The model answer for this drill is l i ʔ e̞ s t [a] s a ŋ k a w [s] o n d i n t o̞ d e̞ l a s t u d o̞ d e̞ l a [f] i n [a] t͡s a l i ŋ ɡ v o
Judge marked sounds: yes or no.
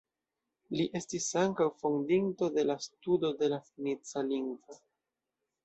no, no, yes, no

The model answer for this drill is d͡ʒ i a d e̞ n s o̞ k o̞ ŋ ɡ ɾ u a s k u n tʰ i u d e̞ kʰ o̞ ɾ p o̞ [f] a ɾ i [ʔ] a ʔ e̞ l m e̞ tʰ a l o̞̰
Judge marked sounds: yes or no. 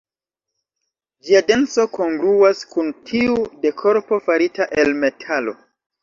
yes, no

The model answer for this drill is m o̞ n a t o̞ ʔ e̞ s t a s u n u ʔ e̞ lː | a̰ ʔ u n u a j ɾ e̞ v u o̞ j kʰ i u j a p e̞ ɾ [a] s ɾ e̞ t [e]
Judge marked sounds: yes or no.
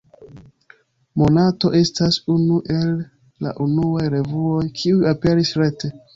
no, yes

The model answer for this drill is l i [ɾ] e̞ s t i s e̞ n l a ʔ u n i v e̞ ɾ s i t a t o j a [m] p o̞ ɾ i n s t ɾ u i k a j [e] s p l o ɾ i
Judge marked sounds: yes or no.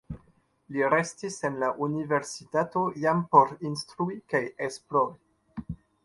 yes, yes, yes

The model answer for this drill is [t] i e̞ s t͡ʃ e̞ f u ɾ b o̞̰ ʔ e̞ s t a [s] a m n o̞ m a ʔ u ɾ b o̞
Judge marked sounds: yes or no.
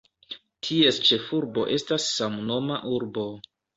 no, no

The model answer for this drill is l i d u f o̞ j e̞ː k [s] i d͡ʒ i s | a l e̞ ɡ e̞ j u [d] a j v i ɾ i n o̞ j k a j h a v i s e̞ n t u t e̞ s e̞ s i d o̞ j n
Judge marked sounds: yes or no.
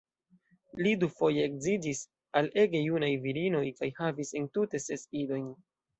no, no

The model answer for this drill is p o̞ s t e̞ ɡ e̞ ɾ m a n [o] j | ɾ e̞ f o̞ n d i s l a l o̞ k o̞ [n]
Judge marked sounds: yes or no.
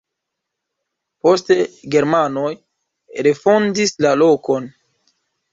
yes, yes

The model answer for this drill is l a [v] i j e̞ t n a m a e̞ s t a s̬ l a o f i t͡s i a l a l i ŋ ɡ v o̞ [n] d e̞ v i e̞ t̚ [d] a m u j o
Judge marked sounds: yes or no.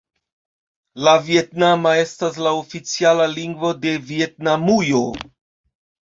yes, no, no

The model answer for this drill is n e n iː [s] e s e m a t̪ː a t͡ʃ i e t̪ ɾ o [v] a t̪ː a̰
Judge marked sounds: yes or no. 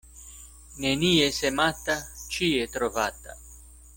no, yes

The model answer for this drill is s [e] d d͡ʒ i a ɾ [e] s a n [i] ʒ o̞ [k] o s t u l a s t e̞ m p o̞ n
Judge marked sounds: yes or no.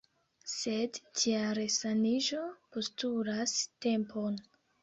yes, yes, yes, no

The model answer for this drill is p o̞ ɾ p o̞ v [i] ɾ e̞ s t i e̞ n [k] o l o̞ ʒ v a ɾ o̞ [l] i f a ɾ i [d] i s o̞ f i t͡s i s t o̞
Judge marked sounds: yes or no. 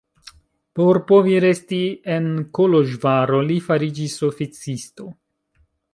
yes, yes, yes, no

